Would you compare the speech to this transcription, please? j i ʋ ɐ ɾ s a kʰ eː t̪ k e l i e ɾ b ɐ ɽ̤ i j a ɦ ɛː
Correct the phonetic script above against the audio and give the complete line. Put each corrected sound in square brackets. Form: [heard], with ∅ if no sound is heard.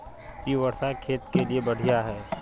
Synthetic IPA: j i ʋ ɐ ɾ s a kʰ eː t̪ k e l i e [∅] b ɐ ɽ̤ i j a ɦ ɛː